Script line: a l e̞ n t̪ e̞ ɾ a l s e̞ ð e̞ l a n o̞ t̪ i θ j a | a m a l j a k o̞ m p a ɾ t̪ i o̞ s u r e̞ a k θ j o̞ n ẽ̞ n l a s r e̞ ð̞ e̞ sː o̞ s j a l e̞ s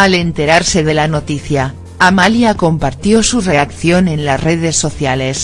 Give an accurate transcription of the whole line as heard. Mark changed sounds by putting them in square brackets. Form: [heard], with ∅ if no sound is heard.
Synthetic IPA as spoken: a l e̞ n t̪ e̞ ɾ a [ɾ] s e̞ ð e̞ l a n o̞ t̪ i θ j a | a m a l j a k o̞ m p a ɾ t̪ [j] o̞ s u r e̞ a k θ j o̞ n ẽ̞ n l a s r e̞ ð̞ e̞ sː o̞ [θ] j a l e̞ s